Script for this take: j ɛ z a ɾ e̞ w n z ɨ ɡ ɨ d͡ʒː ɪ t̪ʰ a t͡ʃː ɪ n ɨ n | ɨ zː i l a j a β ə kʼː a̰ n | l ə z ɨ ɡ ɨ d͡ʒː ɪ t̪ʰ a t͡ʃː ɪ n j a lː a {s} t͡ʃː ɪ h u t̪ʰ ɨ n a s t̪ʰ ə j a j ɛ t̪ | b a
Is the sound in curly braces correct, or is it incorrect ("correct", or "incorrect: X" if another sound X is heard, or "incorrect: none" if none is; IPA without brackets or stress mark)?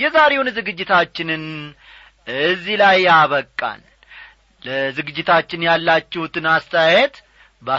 incorrect: none